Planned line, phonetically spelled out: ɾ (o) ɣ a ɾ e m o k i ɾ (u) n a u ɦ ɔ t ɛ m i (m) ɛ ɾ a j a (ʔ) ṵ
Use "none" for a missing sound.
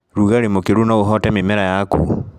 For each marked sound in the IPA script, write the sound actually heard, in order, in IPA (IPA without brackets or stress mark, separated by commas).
u, u, m, k